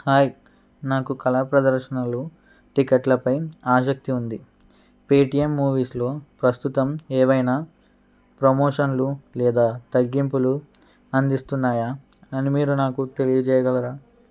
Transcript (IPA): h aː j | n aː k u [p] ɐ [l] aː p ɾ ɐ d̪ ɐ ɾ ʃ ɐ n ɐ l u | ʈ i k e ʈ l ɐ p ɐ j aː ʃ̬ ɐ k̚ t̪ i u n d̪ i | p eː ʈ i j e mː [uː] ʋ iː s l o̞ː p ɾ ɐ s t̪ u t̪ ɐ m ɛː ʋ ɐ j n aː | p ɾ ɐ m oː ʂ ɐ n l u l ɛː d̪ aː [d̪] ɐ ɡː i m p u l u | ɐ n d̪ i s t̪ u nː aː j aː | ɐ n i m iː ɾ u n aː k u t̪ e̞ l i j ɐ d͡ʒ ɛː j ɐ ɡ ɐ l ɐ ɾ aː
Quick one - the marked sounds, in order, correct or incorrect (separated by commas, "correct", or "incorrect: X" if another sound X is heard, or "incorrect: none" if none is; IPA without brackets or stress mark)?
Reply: incorrect: k, correct, correct, incorrect: t̪